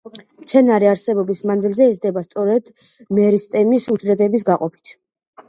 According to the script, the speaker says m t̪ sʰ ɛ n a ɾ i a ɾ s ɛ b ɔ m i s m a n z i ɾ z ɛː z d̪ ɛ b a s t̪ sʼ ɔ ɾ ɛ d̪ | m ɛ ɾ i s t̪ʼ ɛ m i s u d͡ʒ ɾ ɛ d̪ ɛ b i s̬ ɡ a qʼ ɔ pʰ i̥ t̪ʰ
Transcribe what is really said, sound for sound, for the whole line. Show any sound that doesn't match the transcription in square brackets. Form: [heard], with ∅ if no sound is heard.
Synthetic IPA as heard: m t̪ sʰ ɛ n a ɾ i a ɾ s ɛ b ɔ [b] i s m a n z i [l] z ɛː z d̪ ɛ b a s t̪ sʼ ɔ ɾ ɛ d̪ | m ɛ ɾ i s t̪ʼ ɛ m i s u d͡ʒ ɾ ɛ d̪ ɛ b i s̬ ɡ a qʼ ɔ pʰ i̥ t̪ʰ